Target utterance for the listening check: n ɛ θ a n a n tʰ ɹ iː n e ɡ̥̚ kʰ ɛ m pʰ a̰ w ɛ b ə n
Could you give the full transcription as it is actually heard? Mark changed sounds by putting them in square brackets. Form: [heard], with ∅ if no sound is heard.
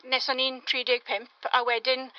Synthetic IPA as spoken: n ɛ [s] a n [i] n tʰ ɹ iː [d] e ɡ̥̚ [pʰ] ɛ m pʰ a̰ w ɛ [d] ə n